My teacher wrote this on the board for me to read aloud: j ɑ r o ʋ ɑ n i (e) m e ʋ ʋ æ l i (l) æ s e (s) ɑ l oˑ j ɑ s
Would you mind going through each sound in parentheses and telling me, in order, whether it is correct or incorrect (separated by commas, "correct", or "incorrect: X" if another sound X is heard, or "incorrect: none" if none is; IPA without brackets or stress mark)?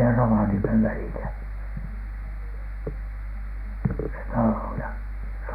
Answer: correct, correct, incorrect: t